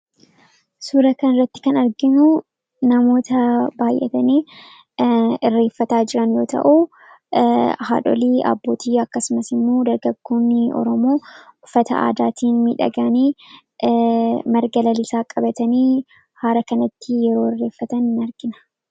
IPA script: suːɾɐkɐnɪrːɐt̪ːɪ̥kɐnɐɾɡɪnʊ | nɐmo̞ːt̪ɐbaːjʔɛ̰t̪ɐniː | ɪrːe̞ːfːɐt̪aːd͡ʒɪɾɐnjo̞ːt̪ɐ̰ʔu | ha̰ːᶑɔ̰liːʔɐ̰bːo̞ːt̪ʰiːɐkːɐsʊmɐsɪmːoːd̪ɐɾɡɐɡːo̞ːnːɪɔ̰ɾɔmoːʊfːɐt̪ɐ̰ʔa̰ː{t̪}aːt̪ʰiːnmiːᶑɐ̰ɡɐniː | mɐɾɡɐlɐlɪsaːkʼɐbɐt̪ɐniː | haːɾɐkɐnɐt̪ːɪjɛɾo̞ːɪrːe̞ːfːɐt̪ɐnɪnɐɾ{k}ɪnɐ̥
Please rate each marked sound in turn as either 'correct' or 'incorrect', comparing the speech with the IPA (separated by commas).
incorrect, incorrect